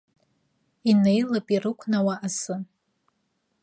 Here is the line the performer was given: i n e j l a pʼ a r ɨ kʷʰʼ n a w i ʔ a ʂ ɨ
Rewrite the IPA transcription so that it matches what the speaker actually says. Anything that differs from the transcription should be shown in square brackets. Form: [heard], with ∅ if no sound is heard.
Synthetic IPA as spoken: i n e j l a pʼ [i] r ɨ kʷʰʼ n a w [a] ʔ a [s] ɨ